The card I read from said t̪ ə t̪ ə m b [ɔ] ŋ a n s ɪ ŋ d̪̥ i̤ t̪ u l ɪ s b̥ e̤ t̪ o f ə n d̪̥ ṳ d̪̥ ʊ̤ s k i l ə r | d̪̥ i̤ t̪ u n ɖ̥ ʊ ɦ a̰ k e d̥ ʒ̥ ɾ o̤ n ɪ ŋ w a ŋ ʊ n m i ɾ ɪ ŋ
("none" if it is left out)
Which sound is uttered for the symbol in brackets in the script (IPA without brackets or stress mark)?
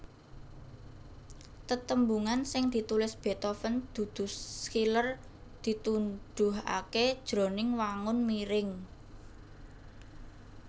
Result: u